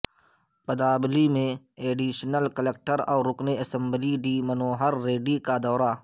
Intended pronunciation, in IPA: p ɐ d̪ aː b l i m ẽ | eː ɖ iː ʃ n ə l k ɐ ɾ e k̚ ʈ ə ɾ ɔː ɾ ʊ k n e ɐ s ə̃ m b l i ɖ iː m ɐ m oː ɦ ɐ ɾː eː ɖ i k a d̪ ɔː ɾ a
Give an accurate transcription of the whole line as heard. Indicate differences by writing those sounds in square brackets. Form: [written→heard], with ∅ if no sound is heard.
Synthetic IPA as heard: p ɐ d̪ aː b l i m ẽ | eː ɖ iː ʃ n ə l k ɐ [ɾ→l] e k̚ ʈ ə ɾ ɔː ɾ ʊ k n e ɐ s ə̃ m b l i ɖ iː m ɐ [m→n] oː ɦ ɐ ɾː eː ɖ i k a d̪ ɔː ɾ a